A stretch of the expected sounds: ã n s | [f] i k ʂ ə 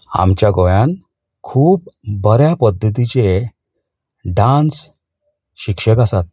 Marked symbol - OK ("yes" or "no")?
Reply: no